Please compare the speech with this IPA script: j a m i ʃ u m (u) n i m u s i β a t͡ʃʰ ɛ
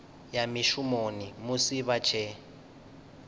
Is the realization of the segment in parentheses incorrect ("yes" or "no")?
yes